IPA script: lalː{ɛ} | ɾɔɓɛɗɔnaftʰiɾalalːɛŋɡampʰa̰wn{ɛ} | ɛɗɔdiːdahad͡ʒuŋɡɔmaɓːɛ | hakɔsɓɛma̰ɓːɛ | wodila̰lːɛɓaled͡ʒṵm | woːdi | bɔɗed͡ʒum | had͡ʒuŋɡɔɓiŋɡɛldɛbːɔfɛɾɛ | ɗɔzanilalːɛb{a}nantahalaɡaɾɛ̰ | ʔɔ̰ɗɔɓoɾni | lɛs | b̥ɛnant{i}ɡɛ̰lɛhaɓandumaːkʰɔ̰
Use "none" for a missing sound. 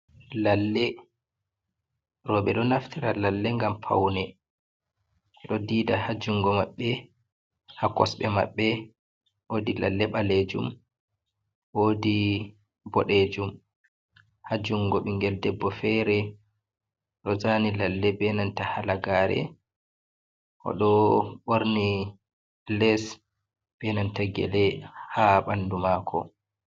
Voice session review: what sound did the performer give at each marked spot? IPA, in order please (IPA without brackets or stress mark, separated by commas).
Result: ɛ, ɛ, ɛ, a